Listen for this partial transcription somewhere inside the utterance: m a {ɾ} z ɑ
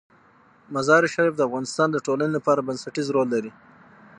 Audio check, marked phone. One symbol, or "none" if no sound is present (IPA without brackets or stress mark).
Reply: none